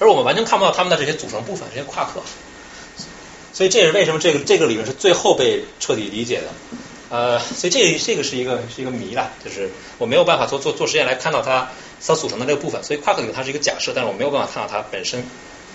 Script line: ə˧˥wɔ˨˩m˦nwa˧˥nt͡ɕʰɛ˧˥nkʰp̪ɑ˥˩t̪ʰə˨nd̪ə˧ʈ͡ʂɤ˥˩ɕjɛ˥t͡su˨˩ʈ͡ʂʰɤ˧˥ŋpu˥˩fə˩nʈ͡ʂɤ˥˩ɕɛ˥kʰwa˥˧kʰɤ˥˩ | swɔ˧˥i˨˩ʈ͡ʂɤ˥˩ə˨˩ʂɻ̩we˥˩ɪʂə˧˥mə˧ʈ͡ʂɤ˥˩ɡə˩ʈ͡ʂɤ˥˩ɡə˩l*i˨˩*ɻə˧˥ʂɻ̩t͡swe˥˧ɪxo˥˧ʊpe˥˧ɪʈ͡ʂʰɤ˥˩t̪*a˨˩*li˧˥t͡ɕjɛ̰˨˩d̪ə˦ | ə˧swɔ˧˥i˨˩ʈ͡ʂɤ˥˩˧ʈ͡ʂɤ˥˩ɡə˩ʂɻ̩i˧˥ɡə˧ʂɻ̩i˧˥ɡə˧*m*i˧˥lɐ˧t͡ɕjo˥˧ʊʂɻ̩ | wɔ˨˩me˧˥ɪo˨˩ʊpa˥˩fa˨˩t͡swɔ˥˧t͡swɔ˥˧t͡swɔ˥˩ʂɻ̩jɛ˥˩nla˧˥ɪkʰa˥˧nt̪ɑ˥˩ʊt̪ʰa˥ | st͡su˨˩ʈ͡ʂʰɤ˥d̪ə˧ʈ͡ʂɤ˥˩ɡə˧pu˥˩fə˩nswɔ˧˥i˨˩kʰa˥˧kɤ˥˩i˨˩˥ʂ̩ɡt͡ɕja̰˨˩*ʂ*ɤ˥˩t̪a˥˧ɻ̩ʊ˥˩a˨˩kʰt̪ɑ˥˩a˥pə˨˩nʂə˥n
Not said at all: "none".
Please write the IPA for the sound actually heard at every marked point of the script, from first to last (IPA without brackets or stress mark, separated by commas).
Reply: i˨˩, i˨˩, m, ʂ